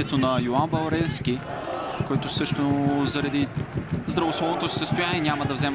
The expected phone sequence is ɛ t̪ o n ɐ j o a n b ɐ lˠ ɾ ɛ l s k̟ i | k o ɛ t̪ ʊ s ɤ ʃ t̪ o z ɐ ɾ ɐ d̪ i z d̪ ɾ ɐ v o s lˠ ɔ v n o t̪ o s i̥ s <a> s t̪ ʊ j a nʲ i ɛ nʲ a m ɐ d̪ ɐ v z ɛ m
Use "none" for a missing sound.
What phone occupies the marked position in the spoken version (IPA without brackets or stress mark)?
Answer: ə